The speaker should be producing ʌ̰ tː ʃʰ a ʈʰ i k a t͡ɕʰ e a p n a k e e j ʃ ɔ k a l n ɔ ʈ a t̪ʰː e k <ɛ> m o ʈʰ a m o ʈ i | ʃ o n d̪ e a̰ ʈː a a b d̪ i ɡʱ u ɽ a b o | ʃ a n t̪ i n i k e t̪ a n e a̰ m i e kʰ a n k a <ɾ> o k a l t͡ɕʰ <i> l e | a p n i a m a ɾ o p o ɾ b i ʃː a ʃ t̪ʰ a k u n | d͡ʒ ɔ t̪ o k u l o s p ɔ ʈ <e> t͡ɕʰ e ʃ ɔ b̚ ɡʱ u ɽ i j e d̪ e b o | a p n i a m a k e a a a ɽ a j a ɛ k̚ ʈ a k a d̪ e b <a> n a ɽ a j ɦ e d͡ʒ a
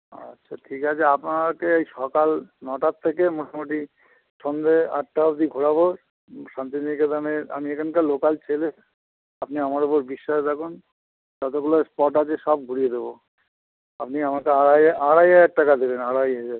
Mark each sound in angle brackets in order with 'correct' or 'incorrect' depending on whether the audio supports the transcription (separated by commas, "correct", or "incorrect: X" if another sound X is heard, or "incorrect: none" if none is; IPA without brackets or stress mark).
incorrect: e, incorrect: l, incorrect: e, incorrect: a, incorrect: e